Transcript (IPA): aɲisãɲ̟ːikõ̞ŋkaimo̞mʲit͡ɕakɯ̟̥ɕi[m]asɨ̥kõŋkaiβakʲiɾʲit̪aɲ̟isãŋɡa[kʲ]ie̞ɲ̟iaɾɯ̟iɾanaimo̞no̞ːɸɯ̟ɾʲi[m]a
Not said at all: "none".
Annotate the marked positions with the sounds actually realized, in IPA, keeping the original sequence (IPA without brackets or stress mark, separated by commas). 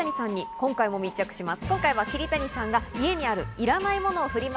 m, none, m